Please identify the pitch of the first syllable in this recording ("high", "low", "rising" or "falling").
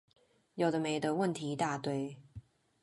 low